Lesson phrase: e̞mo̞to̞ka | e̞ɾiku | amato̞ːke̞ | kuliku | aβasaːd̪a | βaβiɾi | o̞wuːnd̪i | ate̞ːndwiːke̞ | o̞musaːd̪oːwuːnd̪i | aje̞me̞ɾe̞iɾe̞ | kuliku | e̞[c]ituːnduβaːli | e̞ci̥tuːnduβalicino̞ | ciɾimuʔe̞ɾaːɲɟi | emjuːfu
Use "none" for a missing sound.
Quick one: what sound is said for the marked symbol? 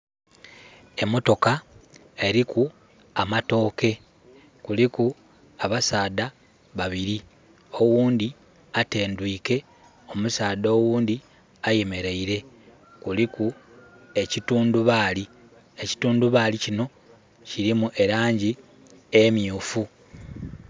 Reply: c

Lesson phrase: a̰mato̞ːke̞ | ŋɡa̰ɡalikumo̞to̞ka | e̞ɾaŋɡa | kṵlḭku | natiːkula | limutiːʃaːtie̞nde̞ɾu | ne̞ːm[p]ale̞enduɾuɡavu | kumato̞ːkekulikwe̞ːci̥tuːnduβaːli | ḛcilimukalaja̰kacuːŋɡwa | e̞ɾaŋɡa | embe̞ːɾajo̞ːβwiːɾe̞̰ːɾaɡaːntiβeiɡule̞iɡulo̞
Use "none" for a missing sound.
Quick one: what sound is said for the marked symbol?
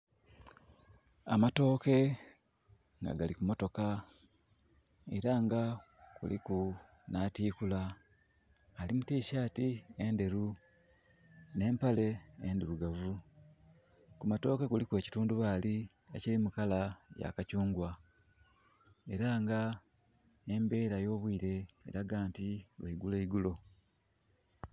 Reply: p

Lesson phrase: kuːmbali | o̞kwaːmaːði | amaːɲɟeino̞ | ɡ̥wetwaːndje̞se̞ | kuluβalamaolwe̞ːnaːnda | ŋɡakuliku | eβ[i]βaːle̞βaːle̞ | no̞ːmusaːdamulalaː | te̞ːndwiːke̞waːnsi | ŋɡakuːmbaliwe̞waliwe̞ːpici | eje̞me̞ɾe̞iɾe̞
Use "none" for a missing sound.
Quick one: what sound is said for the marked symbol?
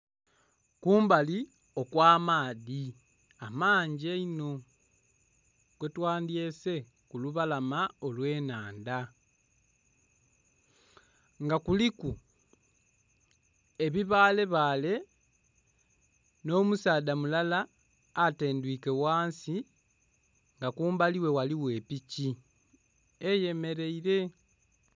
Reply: i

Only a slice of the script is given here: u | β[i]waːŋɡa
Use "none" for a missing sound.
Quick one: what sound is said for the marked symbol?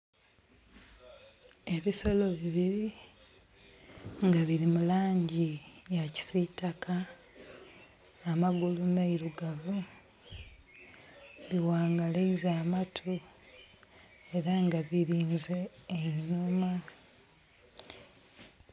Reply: i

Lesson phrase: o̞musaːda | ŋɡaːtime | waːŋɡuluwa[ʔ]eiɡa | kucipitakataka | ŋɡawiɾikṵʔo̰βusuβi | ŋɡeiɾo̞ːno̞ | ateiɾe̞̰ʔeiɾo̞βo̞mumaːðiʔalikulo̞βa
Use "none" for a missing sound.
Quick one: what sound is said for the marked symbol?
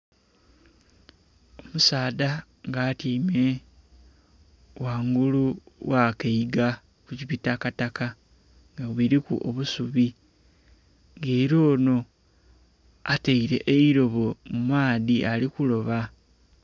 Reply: k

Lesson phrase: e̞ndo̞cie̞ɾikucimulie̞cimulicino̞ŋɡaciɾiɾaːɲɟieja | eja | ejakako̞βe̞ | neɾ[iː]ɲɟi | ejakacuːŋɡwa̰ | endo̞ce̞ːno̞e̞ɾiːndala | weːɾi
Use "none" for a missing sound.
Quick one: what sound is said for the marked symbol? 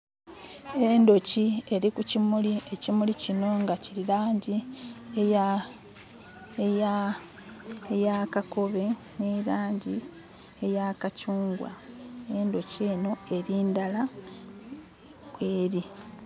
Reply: aː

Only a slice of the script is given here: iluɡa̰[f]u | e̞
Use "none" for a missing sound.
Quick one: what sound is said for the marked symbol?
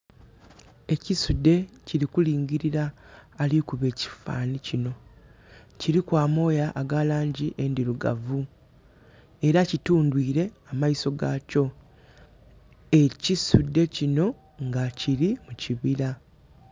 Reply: v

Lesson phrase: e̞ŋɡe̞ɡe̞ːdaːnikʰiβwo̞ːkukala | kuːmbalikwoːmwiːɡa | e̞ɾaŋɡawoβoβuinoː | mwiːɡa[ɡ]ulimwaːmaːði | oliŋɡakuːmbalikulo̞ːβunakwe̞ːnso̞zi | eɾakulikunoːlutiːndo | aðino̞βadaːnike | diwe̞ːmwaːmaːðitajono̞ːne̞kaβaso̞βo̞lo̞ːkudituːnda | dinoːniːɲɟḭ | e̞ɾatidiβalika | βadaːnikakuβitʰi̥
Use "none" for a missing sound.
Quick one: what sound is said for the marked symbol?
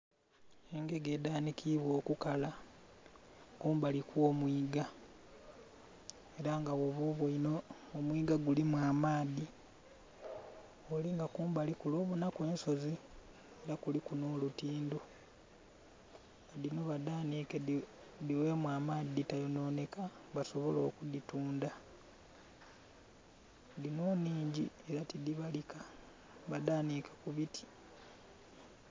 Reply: ɡ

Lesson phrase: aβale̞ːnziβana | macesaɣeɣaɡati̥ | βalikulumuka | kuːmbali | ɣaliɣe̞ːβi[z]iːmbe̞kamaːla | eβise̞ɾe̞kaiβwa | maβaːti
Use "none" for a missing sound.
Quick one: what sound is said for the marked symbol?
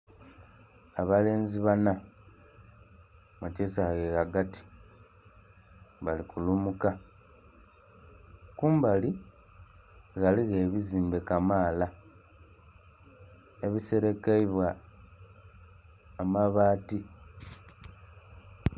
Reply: z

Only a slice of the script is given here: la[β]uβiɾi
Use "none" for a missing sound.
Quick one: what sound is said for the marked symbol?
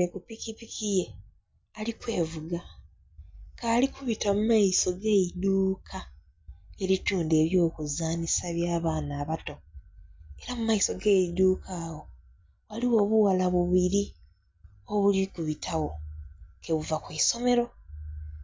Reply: β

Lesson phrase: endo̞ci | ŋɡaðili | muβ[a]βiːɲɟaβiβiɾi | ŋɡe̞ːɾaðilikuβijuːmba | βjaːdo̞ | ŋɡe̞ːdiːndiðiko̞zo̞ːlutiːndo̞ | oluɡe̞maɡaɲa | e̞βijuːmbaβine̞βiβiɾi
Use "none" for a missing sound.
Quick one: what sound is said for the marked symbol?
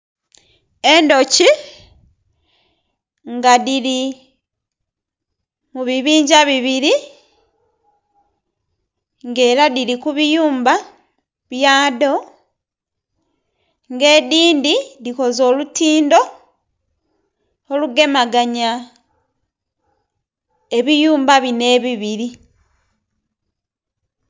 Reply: i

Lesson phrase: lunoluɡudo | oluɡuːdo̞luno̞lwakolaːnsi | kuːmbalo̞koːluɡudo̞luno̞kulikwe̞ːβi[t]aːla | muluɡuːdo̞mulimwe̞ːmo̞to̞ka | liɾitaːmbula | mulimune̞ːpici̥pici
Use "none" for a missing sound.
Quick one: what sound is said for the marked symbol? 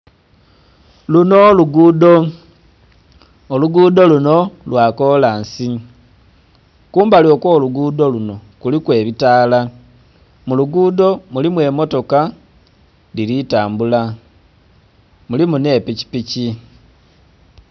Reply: t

